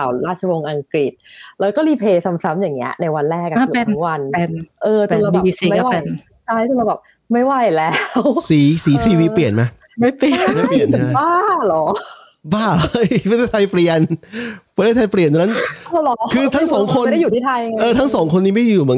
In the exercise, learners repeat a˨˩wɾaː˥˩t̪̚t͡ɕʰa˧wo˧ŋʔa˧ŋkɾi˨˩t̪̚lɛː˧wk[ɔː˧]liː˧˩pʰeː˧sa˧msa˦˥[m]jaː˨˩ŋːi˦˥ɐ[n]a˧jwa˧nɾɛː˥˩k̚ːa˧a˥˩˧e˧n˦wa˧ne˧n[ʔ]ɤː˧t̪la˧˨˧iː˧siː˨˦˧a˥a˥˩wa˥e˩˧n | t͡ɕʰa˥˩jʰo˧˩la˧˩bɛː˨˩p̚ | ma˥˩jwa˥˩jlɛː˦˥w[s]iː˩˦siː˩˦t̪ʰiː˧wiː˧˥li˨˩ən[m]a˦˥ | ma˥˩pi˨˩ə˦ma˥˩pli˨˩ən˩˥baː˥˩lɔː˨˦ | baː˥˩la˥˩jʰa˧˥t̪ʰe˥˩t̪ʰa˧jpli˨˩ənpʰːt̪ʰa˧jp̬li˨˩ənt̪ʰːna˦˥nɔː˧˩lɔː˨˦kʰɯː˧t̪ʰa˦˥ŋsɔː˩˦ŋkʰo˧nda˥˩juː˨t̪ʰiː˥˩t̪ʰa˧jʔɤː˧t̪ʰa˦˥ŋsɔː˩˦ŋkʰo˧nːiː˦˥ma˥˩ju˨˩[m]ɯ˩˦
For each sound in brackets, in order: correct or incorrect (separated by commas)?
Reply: incorrect, correct, correct, correct, correct, correct, correct